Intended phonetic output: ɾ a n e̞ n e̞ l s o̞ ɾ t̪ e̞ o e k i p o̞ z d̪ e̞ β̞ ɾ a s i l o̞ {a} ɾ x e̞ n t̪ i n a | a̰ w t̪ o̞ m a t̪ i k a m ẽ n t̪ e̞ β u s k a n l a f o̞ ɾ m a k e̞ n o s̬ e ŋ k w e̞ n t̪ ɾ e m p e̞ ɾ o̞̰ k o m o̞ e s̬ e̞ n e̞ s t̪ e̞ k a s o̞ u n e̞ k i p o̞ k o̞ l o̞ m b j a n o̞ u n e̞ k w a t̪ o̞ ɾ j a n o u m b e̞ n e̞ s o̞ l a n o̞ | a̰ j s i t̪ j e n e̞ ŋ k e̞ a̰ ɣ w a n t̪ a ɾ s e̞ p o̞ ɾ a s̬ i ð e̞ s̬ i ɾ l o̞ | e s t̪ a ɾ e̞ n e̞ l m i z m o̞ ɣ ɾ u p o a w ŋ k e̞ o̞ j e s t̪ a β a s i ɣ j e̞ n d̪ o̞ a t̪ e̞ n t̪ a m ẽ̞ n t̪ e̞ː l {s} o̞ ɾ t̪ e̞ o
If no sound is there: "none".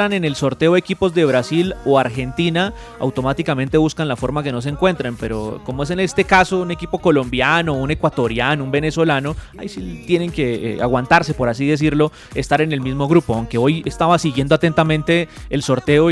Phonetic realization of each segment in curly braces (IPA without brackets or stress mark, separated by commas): a, s